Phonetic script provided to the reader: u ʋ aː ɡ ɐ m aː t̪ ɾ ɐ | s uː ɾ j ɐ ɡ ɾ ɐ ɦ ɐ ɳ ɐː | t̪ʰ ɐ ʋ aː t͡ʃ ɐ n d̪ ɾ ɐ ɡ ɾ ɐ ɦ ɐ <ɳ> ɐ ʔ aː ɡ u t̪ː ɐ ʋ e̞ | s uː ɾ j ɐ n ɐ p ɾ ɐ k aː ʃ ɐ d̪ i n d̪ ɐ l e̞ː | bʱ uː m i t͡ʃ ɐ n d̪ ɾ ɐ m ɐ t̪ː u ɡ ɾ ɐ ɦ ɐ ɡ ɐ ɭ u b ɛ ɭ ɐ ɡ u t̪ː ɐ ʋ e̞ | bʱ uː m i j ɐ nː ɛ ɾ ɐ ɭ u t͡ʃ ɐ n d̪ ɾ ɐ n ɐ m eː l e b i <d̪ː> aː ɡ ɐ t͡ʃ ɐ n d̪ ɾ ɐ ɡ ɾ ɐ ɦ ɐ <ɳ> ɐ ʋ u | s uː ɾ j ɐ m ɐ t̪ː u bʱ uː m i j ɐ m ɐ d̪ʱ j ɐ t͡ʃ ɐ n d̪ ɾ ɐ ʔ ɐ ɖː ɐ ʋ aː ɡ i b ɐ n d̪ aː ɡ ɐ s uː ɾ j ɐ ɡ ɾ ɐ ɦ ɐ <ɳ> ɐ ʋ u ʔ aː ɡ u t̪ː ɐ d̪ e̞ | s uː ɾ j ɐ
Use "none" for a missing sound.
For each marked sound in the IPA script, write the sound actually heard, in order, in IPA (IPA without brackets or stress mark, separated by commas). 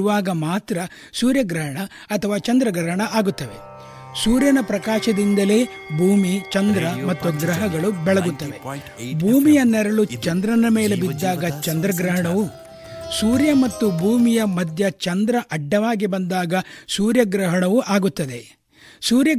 ɳ, d̪ː, ɳ, ɳ